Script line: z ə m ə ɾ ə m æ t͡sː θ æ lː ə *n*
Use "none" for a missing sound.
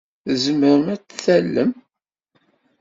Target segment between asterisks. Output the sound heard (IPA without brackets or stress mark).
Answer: m